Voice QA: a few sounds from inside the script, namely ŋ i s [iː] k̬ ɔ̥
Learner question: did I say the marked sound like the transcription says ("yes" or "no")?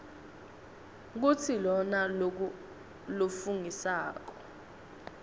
no